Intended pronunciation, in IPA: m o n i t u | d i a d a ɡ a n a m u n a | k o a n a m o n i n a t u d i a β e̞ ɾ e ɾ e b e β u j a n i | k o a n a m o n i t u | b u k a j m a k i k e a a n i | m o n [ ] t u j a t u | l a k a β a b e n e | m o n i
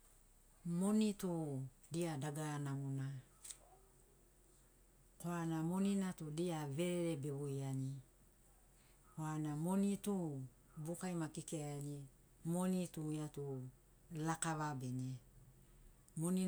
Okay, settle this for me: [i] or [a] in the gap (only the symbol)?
i